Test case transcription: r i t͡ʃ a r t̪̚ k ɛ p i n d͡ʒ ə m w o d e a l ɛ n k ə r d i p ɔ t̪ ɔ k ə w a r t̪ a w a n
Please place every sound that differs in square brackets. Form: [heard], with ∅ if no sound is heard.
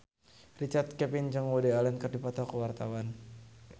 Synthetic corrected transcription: r i t͡ʃ a r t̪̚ k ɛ p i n d͡ʒ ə [ŋ] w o d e a l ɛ n k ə r d i p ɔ t̪ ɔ k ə w a r t̪ a w a n